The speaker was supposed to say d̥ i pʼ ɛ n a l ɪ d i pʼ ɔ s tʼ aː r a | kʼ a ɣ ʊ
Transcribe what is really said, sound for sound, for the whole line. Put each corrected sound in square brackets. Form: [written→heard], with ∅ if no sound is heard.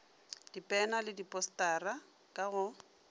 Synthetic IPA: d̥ i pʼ ɛ n a l ɪ d i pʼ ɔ s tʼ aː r a | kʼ a ɣ ʊ